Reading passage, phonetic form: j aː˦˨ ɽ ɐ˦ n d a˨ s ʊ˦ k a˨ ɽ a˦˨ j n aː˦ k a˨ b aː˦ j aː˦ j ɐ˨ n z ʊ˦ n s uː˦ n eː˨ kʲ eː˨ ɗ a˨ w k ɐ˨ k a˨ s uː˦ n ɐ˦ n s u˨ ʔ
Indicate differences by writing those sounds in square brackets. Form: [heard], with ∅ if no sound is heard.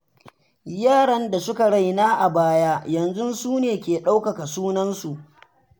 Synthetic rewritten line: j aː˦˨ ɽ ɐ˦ n d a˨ s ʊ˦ k a˨ ɽ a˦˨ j n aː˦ [ʔ] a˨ b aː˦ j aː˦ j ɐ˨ n z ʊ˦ n s uː˦ n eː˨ kʲ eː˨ ɗ [a˦] w k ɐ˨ k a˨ s uː˦ n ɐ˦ n s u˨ ʔ